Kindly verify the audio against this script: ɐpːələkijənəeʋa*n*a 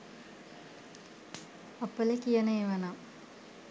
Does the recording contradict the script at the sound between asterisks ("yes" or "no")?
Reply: no